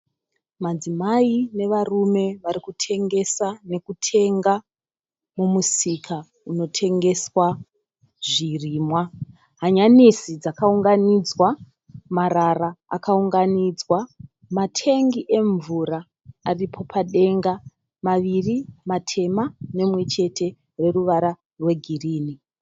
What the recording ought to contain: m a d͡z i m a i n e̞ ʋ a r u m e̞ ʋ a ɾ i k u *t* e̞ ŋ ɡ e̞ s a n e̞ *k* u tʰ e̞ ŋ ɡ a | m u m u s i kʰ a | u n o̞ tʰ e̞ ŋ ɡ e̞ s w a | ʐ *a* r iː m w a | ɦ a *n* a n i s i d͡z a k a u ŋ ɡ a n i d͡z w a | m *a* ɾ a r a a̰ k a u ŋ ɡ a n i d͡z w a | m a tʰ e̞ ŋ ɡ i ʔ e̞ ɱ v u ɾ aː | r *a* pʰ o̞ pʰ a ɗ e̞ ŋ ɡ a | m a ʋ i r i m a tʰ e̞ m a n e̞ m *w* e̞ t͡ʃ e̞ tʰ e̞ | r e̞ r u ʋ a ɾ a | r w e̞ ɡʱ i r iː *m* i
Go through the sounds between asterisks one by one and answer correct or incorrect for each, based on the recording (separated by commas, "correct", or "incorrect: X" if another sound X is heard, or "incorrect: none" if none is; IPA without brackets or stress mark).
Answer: incorrect: tʰ, correct, incorrect: i, incorrect: ɲ, correct, incorrect: i, correct, incorrect: n